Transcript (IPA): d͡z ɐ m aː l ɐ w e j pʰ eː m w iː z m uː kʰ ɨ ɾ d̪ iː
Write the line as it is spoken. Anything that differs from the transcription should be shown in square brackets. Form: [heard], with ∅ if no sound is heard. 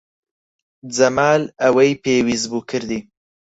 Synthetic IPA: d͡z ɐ m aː l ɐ w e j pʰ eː [∅] w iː z [b] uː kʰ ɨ ɾ d̪ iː